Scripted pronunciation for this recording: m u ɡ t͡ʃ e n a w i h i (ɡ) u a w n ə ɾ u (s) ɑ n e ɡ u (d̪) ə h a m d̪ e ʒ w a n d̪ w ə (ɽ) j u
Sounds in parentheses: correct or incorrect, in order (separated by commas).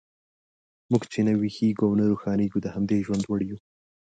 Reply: correct, incorrect, correct, correct